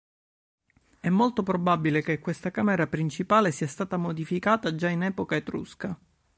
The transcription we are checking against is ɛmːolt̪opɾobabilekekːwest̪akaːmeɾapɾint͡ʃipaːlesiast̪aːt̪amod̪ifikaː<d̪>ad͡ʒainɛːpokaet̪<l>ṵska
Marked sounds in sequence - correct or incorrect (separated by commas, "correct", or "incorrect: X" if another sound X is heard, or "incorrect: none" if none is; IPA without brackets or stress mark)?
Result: incorrect: t̪, incorrect: ɾ